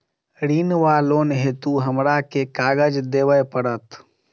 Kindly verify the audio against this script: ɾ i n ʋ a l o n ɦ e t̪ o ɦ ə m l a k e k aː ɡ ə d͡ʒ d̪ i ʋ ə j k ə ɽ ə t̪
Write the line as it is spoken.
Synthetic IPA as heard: ɾ i n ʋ a l o n ɦ e t̪ u ɦ ə m ɾ a k e k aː ɡ ə d͡ʒ d̪ e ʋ ə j p ə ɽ ə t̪